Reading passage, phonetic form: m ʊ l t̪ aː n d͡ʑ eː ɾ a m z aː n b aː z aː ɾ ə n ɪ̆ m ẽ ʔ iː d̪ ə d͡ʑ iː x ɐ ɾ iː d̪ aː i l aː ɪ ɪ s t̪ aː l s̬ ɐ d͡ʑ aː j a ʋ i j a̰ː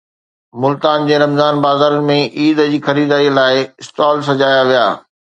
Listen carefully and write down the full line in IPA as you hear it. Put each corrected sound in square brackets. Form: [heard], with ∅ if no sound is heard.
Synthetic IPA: m ʊ l t̪ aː n d͡ʑ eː ɾ [ɐ] m z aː n b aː z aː ɾ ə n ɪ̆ m ẽ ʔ iː d̪ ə d͡ʑ iː x ɐ ɾ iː d̪ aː i l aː ɪ ɪ s t̪ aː l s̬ ɐ d͡ʑ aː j a ʋ i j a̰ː